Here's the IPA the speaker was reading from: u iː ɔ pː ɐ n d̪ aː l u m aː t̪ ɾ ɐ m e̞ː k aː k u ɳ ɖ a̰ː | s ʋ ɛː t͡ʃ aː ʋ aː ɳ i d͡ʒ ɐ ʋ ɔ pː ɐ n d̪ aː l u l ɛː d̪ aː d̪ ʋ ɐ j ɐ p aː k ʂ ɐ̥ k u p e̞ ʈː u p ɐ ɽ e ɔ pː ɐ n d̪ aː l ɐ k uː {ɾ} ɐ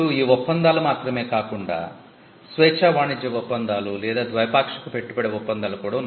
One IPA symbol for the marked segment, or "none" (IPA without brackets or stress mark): ɽ